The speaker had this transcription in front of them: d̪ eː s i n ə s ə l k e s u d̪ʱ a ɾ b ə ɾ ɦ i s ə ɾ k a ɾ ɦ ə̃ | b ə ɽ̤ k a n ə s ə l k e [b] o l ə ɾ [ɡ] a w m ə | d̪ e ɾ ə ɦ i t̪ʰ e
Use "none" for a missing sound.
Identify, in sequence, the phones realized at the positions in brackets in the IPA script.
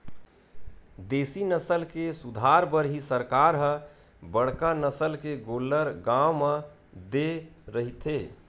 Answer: ɡ, ɡ

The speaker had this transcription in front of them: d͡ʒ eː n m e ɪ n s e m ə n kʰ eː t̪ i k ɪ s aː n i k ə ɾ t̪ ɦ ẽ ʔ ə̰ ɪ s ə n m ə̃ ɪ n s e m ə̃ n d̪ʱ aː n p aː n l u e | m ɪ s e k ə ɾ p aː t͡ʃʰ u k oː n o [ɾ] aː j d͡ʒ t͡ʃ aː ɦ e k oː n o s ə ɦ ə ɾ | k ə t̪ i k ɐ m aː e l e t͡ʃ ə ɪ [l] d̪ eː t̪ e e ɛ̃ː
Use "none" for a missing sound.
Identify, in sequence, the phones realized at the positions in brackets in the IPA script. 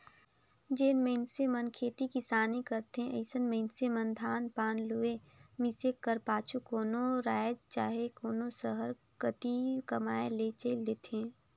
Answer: ɾ, l

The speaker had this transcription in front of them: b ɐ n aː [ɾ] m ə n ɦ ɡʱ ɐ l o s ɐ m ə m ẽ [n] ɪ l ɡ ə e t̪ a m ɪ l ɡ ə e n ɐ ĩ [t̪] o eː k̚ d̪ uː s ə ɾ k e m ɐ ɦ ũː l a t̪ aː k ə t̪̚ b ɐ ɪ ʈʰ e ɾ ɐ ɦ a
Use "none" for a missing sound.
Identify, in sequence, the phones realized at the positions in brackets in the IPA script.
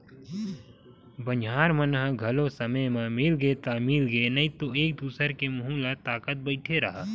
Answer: ɾ, m, t̪

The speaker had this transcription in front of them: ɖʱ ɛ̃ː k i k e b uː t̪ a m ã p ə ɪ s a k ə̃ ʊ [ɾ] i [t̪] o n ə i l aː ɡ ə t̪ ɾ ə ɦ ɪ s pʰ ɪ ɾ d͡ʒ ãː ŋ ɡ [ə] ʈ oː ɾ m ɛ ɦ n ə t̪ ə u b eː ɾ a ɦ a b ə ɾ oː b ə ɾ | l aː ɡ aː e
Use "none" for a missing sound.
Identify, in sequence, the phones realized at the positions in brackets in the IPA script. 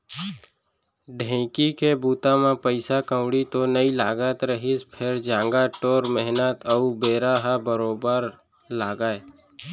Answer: ɽ, t̪, a

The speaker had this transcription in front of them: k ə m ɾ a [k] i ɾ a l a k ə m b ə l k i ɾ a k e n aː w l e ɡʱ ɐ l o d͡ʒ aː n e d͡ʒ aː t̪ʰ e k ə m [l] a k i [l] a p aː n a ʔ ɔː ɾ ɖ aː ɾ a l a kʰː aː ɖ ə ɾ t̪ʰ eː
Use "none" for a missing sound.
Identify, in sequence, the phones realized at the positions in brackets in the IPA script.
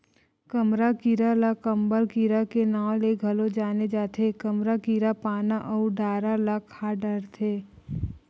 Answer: k, ɾ, ɾ

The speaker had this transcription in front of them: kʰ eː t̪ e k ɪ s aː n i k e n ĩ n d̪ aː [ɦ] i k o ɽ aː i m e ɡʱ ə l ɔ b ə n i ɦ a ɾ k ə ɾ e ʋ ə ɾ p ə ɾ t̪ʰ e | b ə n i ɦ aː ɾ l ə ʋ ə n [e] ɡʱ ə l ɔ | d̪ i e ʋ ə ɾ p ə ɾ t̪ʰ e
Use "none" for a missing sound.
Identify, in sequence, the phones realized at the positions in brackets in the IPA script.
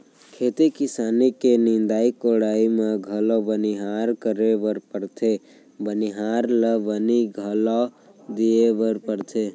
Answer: none, i

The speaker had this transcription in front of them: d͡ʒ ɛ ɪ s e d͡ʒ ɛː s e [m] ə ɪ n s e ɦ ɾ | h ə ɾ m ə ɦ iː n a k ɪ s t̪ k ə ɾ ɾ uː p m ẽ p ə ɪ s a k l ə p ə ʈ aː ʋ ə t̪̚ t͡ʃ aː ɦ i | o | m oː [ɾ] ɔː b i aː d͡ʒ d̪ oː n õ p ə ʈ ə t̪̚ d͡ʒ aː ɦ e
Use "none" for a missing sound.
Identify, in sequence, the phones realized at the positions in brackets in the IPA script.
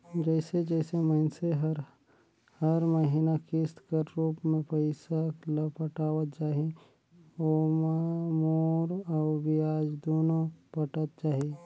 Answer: m, ɾ

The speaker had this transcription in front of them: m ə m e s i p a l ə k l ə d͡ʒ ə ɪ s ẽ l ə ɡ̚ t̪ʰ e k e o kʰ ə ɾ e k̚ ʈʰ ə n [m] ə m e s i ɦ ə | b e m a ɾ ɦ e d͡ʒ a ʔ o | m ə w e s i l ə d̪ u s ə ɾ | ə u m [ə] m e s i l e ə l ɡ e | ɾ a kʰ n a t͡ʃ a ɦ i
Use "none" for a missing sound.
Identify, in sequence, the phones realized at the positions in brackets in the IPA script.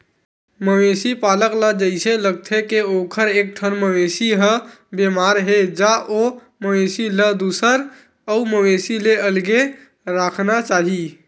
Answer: m, ə

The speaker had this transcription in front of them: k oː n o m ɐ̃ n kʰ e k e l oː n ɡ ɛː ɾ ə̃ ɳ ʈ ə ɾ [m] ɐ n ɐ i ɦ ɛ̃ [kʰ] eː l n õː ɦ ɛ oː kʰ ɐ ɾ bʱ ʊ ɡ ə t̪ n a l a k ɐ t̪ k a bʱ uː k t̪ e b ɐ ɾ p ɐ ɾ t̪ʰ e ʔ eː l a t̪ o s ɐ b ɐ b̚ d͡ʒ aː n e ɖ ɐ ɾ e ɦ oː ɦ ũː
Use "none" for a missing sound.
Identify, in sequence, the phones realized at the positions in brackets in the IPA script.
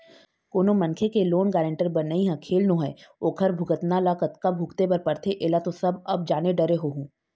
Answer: b, kʰ

